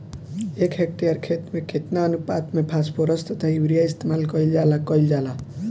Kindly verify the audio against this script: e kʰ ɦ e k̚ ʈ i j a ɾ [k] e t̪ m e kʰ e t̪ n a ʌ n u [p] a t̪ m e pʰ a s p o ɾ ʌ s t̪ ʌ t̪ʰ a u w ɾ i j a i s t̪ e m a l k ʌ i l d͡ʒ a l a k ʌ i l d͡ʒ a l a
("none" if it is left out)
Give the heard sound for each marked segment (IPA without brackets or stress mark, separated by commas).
kʰ, p